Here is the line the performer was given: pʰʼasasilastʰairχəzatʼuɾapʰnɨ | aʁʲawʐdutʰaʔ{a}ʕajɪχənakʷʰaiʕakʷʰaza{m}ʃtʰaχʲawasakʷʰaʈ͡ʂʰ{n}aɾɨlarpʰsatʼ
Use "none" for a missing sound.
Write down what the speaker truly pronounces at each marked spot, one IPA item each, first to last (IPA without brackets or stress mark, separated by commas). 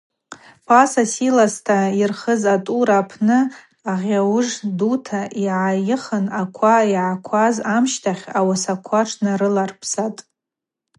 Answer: i, m, n